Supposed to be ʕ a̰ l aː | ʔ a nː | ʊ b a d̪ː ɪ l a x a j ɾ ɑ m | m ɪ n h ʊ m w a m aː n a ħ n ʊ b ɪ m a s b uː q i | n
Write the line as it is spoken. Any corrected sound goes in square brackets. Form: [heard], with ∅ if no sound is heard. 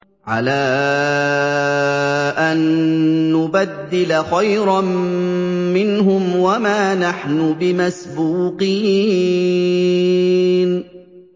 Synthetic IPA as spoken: ʕ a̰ l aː | ʔ a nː | ʊ b a d̪ː ɪ l a x a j ɾ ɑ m | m ɪ n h ʊ m w a m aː n a ħ n ʊ b ɪ m a s b uː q [iː] | n

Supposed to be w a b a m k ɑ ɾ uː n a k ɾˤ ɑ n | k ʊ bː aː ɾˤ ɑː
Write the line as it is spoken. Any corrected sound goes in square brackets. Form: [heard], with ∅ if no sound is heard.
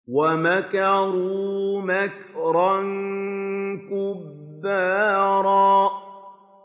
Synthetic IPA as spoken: w a [m] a [∅] k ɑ ɾ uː [m] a k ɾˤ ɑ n | k ʊ bː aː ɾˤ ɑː

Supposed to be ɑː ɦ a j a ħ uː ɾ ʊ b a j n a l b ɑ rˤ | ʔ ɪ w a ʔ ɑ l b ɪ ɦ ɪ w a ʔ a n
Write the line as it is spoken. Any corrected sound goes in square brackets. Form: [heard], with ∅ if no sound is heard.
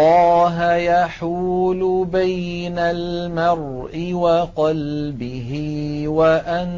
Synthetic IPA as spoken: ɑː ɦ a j a ħ uː [l] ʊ b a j n a l [m] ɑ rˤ | ʔ ɪ w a [q] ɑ l b ɪ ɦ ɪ w a ʔ a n

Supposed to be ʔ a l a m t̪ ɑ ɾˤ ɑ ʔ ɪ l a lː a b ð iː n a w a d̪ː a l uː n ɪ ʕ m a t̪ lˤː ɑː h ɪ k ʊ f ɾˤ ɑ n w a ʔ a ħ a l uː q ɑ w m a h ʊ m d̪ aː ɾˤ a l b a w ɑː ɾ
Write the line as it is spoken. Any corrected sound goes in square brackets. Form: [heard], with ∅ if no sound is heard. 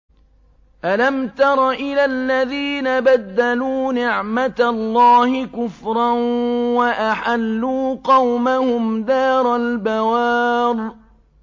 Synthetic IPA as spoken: ʔ a l a m t̪ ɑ ɾˤ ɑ ʔ ɪ l a lː a [∅] ð iː n a [b] a d̪ː a l uː n ɪ ʕ m a t̪ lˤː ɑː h ɪ k ʊ f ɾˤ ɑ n w a ʔ a ħ a [lː] uː q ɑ w m a h ʊ m d̪ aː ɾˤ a l b a w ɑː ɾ

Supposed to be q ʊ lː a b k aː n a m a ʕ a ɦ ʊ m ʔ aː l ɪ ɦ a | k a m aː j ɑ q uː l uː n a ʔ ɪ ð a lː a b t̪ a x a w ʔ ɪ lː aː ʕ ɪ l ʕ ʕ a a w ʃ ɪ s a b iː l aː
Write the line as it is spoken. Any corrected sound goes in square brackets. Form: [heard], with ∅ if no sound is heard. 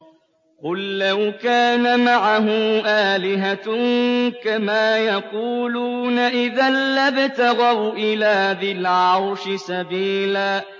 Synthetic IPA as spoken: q ʊ lː a [w] k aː n a m a ʕ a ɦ ʊ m ʔ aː l ɪ ɦ a | k a m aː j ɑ q uː l uː n a ʔ ɪ ð a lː a b t̪ a [ɣ] a w ʔ ɪ [l] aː [ð] ɪ l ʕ ʕ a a w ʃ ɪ s a b iː l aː

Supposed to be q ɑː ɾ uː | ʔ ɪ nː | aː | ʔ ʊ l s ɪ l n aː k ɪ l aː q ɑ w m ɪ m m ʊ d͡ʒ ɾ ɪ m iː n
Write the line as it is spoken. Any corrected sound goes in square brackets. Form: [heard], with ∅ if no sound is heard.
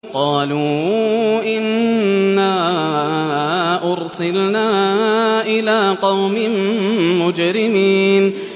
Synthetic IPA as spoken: q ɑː [l] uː | ʔ ɪ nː | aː | ʔ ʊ [ɾ] s ɪ l n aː [ʔ] ɪ l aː q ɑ w m ɪ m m ʊ d͡ʒ ɾ ɪ m iː n

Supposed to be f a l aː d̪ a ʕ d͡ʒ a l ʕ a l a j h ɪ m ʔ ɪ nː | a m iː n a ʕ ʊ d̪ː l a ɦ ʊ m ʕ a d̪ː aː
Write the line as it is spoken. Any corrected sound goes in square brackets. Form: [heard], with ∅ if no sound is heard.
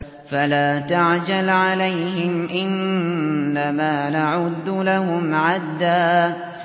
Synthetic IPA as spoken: f a l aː [t̪] a ʕ d͡ʒ a l ʕ a l a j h ɪ m ʔ ɪ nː | a m [aː] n a ʕ ʊ d̪ː l a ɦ ʊ m ʕ a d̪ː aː

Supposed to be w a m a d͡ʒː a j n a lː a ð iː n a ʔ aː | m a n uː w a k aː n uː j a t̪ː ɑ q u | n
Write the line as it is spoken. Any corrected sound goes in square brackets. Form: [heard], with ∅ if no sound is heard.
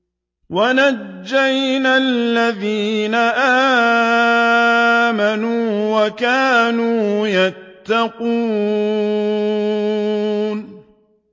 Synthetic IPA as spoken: w a [n] a d͡ʒː a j n a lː a ð iː n a ʔ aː | m a n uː w a k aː n uː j a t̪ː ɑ q [uː] | n

